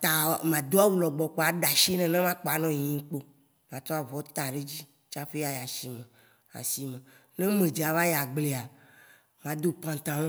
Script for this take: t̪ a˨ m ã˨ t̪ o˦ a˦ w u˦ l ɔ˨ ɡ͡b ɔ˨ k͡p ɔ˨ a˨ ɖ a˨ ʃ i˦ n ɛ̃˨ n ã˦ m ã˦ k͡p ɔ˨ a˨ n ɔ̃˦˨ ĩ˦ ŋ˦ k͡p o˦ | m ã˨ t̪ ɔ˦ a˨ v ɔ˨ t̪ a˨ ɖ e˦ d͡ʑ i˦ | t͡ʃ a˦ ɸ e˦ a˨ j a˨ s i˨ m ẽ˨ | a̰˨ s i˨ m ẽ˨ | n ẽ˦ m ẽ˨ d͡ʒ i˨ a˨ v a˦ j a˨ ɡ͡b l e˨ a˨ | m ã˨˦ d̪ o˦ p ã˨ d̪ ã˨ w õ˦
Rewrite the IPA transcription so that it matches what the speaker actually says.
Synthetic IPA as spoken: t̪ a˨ m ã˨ d̪ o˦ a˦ w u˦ l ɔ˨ ɡ͡b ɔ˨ k͡p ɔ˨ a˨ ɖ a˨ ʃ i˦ n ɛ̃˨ n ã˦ m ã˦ k͡p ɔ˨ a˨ n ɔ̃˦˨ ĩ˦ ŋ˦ k͡p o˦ | m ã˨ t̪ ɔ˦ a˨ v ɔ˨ t̪ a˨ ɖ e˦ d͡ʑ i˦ | t͡ʃ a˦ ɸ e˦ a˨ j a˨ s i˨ m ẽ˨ | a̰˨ s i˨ m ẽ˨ | n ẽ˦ m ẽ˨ d͡ʒ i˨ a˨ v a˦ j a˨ ɡ͡b l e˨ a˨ | m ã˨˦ d̪ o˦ p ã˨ t̪ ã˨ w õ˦